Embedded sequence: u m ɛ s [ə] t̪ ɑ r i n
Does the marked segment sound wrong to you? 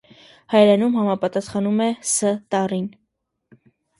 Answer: no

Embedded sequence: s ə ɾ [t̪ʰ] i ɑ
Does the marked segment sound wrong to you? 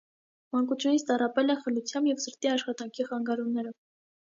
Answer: yes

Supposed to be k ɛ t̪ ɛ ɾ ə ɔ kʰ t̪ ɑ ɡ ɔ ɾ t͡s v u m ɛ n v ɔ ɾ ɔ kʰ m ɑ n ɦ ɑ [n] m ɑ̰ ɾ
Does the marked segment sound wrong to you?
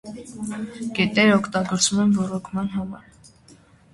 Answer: yes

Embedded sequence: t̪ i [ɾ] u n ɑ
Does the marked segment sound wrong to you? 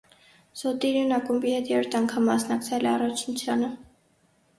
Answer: no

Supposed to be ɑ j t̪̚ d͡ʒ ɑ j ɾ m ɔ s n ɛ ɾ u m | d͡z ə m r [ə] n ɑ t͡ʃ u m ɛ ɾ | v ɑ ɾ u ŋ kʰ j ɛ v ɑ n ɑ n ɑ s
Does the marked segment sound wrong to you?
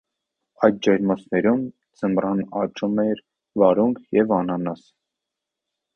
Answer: yes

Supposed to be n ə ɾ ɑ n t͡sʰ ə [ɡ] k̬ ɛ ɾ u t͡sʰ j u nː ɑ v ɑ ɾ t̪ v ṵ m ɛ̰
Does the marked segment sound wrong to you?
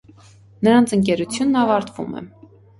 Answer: yes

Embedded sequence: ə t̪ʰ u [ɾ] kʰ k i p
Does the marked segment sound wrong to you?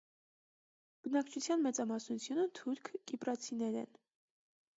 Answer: no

